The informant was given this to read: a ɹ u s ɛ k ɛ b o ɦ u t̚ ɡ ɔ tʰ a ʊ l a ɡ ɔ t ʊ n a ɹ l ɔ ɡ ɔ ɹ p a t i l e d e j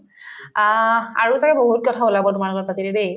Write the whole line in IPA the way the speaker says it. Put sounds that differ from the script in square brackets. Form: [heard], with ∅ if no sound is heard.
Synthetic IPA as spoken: a ɹ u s [a] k ɛ b o ɦ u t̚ [k] ɔ tʰ a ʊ l a [b] ɔ t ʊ [m] a ɹ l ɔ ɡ ɔ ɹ p a t i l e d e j